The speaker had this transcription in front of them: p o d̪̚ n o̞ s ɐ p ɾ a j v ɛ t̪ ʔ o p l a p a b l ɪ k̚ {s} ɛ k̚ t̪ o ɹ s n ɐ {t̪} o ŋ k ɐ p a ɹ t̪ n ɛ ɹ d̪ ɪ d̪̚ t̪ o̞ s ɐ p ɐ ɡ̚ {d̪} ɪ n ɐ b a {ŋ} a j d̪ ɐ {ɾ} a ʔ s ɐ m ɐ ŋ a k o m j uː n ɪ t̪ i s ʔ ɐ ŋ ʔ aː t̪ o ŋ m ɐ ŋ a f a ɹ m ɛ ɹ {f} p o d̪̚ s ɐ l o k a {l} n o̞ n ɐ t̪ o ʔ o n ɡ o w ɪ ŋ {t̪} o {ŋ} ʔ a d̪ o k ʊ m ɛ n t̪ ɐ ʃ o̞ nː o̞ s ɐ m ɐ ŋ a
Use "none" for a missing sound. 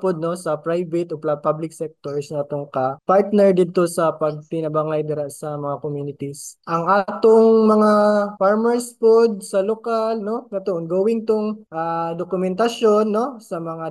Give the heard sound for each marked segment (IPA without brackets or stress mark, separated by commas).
s, t̪, t̪, ŋ, ɾ, s, l, t̪, ŋ